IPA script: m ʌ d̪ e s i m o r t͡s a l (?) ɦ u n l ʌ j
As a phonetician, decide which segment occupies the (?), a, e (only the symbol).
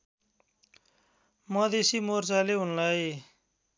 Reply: e